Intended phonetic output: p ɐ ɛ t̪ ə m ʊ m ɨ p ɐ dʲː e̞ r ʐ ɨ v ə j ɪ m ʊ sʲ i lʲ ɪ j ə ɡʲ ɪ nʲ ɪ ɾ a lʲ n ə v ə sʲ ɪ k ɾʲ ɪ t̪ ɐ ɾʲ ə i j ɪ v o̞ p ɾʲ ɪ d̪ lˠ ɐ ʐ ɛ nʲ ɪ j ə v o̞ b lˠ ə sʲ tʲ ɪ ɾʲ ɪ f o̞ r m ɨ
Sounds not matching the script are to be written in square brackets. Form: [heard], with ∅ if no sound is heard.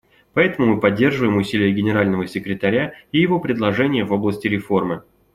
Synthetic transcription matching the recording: p ɐ ɛ t̪ ə m ʊ m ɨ p ɐ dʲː e̞ r ʐ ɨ v ə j ɪ m ʊ sʲ i lʲ ɪ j ə ɡʲ ɪ nʲ ɪ ɾ a lʲ n ə v ə sʲ ɪ k ɾʲ ɪ t̪ ɐ ɾʲ [a] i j ɪ v o̞ p ɾʲ ɪ d̪ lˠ ɐ ʐ ɛ nʲ ɪ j ə v o̞ b lˠ ə sʲ tʲ ɪ ɾʲ ɪ f o̞ r m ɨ